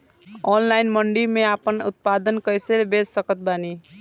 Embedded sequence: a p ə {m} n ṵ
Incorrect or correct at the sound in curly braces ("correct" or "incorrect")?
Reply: incorrect